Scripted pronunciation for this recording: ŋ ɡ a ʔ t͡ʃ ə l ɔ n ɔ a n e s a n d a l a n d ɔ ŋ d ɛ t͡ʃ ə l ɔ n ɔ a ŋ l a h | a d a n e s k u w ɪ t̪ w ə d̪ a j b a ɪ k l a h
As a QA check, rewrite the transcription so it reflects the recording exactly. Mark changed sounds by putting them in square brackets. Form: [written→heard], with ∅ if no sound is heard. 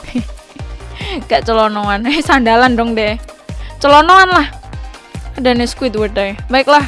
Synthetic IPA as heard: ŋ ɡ a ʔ t͡ʃ ə l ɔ n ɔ a n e s a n d a l a n d ɔ ŋ d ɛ t͡ʃ ə l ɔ n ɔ a [ŋ→n] l a h | a d a n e s k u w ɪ t̪ w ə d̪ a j b a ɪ k l a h

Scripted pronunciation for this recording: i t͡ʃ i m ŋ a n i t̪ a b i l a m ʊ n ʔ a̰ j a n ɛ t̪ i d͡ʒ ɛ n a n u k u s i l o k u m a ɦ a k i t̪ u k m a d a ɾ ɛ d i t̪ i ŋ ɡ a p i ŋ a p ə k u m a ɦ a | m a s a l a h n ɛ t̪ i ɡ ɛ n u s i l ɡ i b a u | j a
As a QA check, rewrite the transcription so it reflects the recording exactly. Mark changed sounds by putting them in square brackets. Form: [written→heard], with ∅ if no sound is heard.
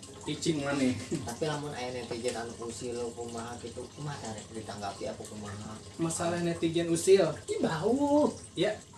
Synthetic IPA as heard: i t͡ʃ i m ŋ a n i t̪ a [b→p] i l a m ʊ n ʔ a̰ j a n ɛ t̪ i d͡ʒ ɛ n a n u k u s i l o k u m a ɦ a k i t̪ u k m a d a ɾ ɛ d i t̪ [i→a] ŋ ɡ a p i [ŋ→∅] a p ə k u m a ɦ a | m a s a l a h n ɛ t̪ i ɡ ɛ n u s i l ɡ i b a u | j a

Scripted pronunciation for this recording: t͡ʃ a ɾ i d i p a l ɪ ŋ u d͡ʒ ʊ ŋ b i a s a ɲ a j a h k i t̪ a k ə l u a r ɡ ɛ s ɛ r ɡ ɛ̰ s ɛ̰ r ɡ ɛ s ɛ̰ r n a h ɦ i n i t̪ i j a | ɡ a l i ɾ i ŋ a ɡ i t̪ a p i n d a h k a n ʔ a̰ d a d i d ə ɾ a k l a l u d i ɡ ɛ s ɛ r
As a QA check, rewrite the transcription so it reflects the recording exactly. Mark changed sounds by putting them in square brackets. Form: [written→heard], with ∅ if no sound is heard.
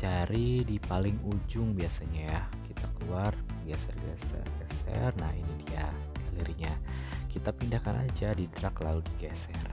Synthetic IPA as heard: t͡ʃ a ɾ i d i p a l ɪ ŋ u d͡ʒ ʊ ŋ b i a s a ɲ a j a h k i t̪ a k ə l u a r ɡ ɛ s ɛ r ɡ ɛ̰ s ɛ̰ r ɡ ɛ s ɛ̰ r n a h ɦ i n i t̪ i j a | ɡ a l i ɾ i [ŋ→ɲ] a [ɡ→k] i t̪ a p i n d a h k a n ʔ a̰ [d→d͡ʒ] a d i d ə ɾ a k l a l u d i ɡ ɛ s ɛ r

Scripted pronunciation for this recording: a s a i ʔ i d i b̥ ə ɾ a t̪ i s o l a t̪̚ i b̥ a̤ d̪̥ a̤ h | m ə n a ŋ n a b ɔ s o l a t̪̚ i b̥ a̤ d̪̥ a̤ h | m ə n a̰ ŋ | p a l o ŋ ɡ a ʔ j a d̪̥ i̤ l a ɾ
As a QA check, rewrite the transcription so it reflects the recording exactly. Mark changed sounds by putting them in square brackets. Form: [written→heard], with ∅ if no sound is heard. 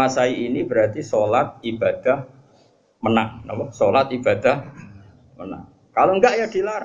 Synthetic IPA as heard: a s a i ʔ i [d→n] i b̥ ə ɾ a t̪ i s o l a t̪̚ i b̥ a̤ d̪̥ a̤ h | m ə n a ŋ n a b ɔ s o l a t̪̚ i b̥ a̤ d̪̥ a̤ h | m ə n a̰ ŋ | [p→k] a l o ŋ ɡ a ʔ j a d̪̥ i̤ l a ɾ

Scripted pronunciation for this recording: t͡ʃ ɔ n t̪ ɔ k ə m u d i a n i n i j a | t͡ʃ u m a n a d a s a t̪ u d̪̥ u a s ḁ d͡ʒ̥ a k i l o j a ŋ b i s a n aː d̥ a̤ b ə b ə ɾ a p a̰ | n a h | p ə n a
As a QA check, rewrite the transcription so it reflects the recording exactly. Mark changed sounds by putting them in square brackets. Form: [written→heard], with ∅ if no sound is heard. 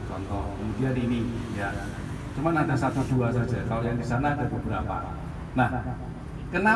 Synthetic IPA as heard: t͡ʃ ɔ n t̪ ɔ k ə m u d i a n i n i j a | t͡ʃ u m a n a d a s a t̪ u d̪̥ u a s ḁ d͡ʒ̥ a k [i→a] l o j a ŋ [b→d] i s a n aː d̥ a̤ b ə b ə ɾ a p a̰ | n a h | [p→k] ə n a

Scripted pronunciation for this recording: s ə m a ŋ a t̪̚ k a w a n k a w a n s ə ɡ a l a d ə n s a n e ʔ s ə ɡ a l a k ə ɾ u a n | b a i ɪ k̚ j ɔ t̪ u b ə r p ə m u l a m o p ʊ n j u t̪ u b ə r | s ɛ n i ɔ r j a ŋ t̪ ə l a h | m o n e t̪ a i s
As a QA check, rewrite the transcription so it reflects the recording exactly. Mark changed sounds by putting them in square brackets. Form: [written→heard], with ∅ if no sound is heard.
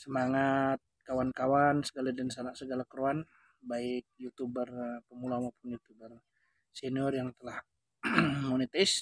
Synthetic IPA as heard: s ə m a ŋ a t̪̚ k a w a n k a w a n s ə ɡ a l a d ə n s a n [e→a] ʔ s ə ɡ a l a k ə ɾ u a n | b a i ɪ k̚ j [ɔ→u] t̪ u b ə r p ə m u l a m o p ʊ n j u t̪ u b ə r | s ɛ n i ɔ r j a ŋ t̪ ə l a h | m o n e t̪ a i s

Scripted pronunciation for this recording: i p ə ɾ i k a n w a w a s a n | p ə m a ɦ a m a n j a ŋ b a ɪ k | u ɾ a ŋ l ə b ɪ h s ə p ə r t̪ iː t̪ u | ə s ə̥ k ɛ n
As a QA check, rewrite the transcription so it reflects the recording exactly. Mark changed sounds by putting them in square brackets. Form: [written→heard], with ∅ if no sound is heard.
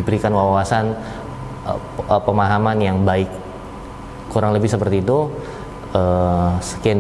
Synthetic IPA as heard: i [p→b] ə ɾ i k a n w a w a s a n | p ə m a ɦ a m a n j a ŋ b a ɪ k | u ɾ a ŋ l ə b ɪ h s ə p ə r t̪ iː t̪ u | ə s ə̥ k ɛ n

